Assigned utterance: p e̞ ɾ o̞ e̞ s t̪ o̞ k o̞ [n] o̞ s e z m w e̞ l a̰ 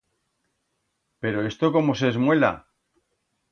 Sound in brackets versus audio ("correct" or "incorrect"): incorrect